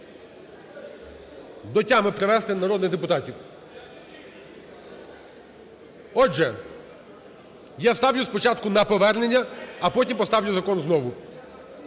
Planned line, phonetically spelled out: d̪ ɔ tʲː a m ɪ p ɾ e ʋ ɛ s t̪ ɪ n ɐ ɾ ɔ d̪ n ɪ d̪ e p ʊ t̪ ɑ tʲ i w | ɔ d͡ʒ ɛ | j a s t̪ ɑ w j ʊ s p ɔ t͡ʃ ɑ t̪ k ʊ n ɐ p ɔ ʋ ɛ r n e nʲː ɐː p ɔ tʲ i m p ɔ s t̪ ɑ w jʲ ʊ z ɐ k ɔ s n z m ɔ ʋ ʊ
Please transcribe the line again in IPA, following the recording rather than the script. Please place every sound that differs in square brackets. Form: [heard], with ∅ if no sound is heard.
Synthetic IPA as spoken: d̪ ɔ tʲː a m ɪ p ɾ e ʋ ɛ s t̪ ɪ n ɐ ɾ ɔ d̪ n ɪ d̪ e p ʊ t̪ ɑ tʲ i w | ɔ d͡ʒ ɛ | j a s t̪ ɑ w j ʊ s p ɔ t͡ʃ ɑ t̪ k ʊ n ɐ p ɔ ʋ ɛ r n e nʲː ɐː p ɔ tʲ i m p ɔ s t̪ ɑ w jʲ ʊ z ɐ k ɔ [∅] n z [n] ɔ ʋ ʊ